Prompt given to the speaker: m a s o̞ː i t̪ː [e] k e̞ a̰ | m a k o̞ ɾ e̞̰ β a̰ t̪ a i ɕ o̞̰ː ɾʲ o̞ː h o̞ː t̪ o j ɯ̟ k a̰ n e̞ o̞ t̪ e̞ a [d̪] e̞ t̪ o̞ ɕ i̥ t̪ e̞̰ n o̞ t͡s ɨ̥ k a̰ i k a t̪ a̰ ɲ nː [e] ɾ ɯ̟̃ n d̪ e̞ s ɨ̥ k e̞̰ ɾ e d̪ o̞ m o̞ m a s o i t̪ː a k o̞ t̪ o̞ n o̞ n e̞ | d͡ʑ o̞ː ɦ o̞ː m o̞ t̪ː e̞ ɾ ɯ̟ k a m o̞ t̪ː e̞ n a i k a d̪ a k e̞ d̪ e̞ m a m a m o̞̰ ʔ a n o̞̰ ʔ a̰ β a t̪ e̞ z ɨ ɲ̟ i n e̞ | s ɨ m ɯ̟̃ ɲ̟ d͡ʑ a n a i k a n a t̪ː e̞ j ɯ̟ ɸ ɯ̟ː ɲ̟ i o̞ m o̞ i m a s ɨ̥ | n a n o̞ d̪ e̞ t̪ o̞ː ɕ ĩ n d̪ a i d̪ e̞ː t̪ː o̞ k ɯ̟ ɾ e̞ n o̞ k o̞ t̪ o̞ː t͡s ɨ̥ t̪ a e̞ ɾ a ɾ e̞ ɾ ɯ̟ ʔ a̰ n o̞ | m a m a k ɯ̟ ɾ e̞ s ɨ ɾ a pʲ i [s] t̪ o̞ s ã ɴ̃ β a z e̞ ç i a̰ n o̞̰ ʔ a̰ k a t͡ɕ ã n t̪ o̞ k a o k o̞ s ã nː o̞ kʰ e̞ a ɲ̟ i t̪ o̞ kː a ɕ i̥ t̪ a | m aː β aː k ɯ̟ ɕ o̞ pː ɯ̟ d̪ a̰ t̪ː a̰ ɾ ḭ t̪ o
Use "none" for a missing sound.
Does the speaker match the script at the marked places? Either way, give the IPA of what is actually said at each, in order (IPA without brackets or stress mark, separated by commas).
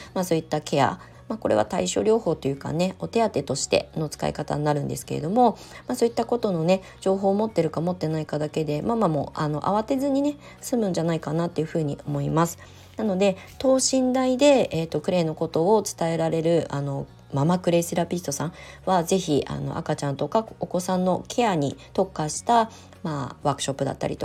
a, t̪, a, s